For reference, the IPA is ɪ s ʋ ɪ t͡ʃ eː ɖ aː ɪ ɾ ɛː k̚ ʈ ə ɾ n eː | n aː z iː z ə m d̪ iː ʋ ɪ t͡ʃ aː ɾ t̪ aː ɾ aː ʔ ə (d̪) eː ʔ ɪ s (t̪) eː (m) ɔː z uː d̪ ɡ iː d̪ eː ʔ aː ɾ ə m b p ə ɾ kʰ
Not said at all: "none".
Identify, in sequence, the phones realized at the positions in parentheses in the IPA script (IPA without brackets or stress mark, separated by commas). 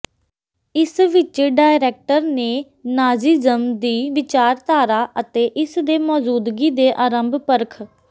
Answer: t̪, d̪, m